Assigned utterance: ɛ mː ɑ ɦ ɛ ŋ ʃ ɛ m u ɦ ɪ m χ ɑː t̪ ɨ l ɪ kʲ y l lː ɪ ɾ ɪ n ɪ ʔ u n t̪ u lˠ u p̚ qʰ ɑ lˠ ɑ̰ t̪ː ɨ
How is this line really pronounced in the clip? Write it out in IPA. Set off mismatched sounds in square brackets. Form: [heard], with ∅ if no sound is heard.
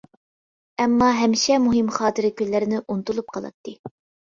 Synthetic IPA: ɛ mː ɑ ɦ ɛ [m] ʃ ɛ m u ɦ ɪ m χ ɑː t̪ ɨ [ɾ] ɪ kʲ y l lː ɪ ɾ ɪ n ɪ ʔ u n t̪ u lˠ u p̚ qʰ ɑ lˠ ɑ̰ t̪ː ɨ